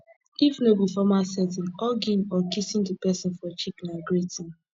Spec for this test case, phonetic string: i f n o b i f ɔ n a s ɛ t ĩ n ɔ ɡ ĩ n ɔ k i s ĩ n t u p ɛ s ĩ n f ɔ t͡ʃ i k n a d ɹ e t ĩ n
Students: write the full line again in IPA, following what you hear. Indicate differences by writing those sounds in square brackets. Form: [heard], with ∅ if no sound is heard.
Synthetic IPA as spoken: i f n o b i f ɔ [m] a s ɛ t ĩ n ɔ ɡ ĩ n ɔ k i s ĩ n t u p ɛ s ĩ n f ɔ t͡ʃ i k n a [ɡ] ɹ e t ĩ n